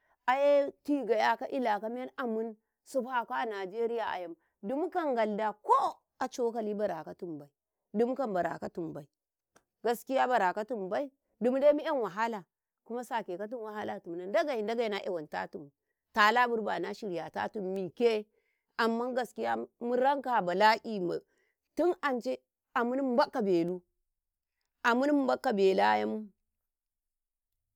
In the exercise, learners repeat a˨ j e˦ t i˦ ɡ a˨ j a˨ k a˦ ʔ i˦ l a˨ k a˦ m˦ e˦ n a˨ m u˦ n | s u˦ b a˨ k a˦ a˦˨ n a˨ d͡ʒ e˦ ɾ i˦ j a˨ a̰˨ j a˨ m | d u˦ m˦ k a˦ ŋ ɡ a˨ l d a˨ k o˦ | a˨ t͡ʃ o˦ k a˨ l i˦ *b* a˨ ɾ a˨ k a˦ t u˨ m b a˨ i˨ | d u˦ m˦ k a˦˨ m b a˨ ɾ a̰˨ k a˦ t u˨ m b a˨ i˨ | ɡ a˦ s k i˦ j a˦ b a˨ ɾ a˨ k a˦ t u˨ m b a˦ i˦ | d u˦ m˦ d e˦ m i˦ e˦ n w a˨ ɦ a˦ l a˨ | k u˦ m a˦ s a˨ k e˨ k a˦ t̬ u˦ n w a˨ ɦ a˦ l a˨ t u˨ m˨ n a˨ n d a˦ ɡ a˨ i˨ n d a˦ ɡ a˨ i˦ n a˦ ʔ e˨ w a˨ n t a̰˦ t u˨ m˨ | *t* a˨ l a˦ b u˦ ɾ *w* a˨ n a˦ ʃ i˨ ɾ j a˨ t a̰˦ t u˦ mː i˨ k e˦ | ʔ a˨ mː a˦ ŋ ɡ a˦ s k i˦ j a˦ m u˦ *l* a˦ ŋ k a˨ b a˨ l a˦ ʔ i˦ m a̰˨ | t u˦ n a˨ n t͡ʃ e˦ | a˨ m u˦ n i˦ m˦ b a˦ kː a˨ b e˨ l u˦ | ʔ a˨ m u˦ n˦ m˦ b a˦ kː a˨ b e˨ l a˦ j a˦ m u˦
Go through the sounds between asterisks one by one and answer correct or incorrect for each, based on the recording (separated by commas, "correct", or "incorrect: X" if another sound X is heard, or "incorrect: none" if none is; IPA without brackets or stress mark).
correct, correct, incorrect: b, incorrect: ɾ